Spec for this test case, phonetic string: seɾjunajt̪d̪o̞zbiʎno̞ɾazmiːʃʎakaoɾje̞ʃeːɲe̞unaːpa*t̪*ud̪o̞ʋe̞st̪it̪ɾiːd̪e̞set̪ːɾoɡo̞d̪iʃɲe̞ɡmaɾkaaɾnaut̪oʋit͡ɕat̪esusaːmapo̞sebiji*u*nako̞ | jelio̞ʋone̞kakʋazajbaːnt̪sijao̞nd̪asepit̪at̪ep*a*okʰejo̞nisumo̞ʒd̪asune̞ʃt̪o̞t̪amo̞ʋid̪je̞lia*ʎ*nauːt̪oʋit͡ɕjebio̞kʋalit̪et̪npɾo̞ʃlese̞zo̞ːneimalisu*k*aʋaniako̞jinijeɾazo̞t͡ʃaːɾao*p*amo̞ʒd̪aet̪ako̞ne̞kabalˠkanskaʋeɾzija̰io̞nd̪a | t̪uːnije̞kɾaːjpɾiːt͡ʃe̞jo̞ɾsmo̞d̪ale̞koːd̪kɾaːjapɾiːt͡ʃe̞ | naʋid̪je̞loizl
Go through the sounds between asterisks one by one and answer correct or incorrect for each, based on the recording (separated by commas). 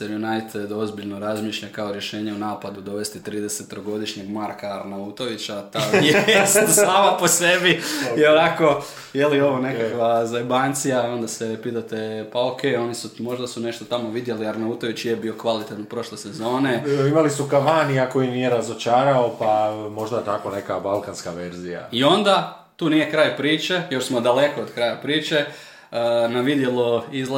incorrect, incorrect, correct, incorrect, correct, correct